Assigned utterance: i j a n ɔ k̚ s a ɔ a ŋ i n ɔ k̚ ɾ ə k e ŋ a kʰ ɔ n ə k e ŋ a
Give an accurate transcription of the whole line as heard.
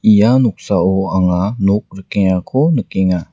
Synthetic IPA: i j a n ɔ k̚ s a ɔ a ŋ a n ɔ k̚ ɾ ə k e ŋ a kʰ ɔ n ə k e ŋ a